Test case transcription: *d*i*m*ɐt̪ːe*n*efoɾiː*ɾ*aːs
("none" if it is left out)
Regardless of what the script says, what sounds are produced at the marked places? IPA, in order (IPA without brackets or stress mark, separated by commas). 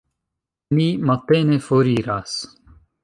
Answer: n, m, n, ɾ